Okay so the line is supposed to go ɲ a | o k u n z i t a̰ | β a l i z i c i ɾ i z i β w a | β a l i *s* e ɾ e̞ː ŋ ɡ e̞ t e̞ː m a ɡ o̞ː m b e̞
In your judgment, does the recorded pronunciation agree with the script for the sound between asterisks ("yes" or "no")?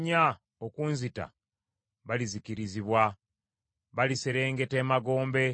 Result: yes